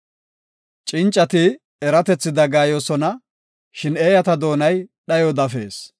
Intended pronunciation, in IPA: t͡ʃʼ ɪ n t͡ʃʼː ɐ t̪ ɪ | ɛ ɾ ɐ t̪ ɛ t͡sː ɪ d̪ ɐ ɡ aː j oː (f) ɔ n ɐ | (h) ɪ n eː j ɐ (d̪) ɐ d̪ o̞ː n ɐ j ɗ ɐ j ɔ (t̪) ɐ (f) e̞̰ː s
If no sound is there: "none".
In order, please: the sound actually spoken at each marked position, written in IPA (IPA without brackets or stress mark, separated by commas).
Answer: s, ʃ, t̪, d̪, f